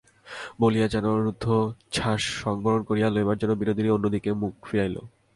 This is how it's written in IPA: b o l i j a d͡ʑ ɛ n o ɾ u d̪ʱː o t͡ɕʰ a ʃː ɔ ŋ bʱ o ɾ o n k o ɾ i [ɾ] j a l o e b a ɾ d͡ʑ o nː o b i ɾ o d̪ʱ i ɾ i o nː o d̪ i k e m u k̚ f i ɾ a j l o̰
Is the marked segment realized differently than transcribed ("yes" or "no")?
yes